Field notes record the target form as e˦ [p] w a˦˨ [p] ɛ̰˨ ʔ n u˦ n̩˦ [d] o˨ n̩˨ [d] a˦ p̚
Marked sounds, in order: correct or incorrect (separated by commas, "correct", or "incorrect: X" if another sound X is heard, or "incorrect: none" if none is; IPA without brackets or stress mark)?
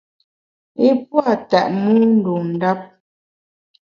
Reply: correct, incorrect: t, correct, correct